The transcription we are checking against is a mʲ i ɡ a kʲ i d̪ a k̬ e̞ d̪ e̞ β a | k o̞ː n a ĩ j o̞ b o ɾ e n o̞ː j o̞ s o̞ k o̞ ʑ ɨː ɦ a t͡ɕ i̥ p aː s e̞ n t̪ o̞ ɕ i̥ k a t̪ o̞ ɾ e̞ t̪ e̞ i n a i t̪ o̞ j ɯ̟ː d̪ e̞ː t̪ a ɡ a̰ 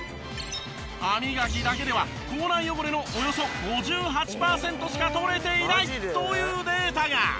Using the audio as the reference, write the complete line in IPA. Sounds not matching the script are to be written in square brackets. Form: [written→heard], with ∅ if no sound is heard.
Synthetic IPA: a mʲ i ɡ a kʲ i d̪ a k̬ e̞ d̪ e̞ β a | k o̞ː n a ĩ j o̞ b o ɾ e n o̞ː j o̞ s o̞ [k→ɡ] o̞ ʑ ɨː ɦ a t͡ɕ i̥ p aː s [e̞→ẽ̞] n t̪ o̞ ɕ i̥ k a t̪ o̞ ɾ e̞ t̪ e̞ i n a i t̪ o̞ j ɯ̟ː d̪ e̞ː t̪ a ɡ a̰